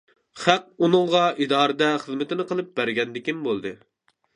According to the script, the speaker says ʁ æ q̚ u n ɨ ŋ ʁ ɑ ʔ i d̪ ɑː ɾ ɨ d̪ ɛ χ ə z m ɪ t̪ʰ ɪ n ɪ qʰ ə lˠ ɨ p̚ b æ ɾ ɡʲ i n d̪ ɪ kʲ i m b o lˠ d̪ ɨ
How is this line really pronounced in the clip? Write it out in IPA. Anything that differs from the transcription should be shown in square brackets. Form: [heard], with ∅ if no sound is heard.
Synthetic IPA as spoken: [χ] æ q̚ u n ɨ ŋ ʁ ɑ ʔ i d̪ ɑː ɾ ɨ d̪ ɛ χ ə z m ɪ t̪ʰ ɪ n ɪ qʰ ə lˠ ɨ p̚ b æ ɾ ɡʲ [ɛ] n d̪ ɪ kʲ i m b o lˠ d̪ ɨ